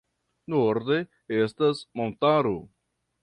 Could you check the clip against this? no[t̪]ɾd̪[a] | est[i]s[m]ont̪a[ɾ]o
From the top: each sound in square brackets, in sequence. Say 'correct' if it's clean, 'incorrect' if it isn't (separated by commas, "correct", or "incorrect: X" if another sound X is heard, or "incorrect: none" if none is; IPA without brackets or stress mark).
incorrect: none, incorrect: e, incorrect: a, correct, correct